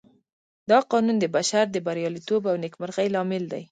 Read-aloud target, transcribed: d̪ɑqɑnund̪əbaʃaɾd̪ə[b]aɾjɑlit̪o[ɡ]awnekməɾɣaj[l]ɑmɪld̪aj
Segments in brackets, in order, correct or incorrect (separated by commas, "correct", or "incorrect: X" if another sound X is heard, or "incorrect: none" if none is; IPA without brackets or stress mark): correct, incorrect: b, correct